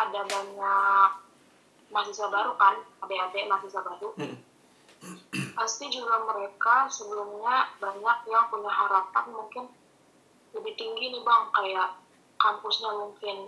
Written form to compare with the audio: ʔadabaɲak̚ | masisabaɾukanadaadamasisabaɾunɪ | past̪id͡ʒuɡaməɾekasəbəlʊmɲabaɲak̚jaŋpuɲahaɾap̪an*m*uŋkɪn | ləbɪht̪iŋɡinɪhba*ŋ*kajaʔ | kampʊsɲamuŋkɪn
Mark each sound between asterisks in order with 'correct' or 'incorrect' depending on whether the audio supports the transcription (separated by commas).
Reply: correct, correct